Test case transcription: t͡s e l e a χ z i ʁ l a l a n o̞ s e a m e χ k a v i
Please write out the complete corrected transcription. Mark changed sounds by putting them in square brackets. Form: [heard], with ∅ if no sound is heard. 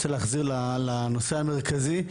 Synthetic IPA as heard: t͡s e l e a χ z i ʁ l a l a n o̞ s e a m e [ʁ] k a [z] i